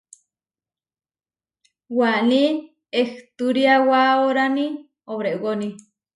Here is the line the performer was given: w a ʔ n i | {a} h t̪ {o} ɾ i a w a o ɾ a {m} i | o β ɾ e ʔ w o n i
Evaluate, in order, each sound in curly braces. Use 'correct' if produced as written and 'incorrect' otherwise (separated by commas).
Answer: incorrect, incorrect, incorrect